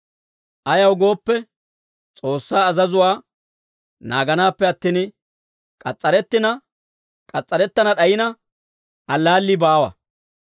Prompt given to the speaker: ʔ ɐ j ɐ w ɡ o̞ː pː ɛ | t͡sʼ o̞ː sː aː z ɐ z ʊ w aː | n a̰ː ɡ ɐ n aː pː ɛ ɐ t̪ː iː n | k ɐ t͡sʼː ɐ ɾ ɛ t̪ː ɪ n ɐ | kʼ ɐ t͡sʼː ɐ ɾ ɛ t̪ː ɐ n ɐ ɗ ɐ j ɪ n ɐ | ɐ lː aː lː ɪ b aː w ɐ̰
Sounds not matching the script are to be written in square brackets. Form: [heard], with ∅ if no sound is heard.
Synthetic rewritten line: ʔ ɐ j ɐ w ɡ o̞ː pː ɛ | t͡sʼ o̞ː sː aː z ɐ z ʊ w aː | n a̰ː ɡ ɐ n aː pː ɛ ɐ t̪ː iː n | [kʼ] ɐ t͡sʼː ɐ ɾ ɛ t̪ː ɪ n ɐ | kʼ ɐ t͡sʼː ɐ ɾ ɛ t̪ː ɐ n ɐ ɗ ɐ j ɪ n ɐ | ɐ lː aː lː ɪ b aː w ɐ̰